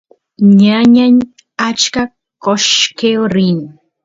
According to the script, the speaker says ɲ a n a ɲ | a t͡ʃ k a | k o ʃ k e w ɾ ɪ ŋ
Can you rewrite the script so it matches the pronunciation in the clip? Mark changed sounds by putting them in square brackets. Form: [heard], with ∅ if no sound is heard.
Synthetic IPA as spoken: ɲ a [ɲ] a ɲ | a t͡ʃ k a | k o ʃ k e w ɾ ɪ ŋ